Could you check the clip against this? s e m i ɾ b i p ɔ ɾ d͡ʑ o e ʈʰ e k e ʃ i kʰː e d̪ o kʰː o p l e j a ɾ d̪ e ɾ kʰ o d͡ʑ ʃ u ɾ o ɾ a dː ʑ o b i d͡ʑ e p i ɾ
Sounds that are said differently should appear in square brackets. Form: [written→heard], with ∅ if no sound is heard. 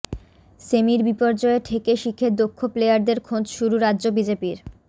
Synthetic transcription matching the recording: s e m i ɾ b i p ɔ ɾ d͡ʑ [o→ɔ] e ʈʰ e k e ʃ i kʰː e d̪ o kʰː o p l e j a ɾ d̪ e ɾ kʰ o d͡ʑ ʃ u ɾ [o→u] ɾ a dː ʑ o b i d͡ʑ e p i ɾ